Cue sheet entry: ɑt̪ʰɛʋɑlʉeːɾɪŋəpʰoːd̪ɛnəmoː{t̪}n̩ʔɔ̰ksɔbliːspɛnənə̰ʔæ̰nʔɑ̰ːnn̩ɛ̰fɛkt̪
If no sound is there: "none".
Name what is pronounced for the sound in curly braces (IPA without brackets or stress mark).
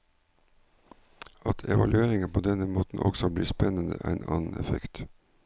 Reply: t̪